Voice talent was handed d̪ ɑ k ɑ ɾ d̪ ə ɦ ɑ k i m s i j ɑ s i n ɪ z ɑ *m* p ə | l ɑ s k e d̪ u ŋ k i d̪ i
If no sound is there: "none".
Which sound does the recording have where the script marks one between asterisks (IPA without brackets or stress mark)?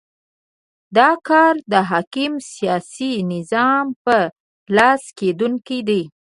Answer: m